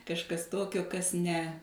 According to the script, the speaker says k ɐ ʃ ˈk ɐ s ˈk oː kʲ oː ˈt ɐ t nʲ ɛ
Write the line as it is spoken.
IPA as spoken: k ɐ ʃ ˈk ɐ s ˈt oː kʲ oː ˈk ɐ s nʲ ɛ